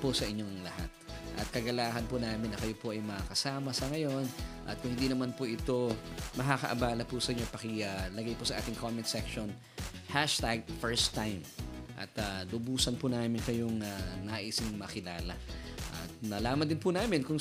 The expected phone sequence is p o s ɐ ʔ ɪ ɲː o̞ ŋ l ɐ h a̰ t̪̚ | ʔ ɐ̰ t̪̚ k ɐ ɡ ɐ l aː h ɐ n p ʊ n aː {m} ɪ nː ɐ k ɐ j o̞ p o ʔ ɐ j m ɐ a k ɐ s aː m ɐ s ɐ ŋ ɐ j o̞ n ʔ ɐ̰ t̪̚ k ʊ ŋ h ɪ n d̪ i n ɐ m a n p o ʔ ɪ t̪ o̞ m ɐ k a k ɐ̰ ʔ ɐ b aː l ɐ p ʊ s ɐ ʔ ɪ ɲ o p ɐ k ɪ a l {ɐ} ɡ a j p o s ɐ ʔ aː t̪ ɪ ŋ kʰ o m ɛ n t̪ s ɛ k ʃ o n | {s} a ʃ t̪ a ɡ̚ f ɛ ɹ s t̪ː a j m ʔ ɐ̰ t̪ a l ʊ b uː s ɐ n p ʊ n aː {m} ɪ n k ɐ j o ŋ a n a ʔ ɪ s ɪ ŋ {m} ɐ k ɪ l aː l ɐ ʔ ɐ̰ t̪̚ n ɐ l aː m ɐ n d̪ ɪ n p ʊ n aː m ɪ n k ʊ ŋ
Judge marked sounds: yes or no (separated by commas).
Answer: yes, yes, no, yes, yes